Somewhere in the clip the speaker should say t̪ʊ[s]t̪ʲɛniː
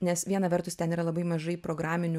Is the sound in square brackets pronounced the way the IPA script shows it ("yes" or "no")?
yes